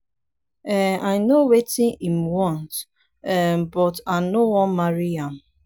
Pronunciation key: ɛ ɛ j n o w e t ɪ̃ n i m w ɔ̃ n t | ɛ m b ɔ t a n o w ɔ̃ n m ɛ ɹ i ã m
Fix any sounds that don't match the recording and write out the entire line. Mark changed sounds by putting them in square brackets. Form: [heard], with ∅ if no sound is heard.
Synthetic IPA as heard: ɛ [a] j n o w e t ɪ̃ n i m w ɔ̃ n t | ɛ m b ɔ t a n o w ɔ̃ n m [a] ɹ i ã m